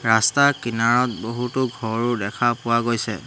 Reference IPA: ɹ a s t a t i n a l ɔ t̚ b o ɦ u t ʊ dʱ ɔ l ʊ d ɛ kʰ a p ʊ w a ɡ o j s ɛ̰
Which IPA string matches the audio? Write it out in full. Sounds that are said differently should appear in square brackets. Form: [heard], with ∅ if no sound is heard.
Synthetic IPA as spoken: ɹ a s t a [k] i n a [ɹ] ɔ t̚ b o ɦ u t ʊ [ɡʱ] ɔ [ɹ] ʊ d ɛ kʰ a p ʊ w a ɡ o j s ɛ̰